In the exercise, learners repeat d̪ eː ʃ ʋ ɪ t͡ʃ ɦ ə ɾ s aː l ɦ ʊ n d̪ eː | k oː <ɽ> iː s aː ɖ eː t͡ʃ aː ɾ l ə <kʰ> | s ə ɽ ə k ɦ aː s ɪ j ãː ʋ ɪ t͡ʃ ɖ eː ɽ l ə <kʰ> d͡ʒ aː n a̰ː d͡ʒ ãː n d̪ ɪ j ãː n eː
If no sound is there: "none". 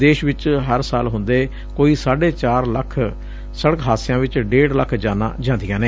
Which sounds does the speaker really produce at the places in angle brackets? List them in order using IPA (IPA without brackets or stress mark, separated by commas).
none, kʰ, kʰ